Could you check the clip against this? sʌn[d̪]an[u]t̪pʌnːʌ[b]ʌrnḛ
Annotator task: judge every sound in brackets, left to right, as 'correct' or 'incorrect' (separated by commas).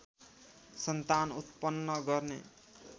incorrect, correct, incorrect